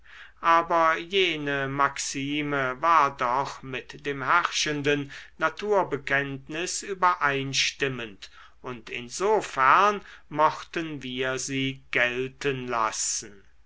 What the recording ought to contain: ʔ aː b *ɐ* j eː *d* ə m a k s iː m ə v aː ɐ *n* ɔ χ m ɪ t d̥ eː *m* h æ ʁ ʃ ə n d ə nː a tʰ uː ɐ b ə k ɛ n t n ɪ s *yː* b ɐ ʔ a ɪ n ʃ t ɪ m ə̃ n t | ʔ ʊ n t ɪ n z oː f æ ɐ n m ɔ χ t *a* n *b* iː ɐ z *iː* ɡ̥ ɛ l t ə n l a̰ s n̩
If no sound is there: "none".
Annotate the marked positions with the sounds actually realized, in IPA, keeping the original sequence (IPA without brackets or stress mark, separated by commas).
ɐ, n, d, m, yː, ə, v, iː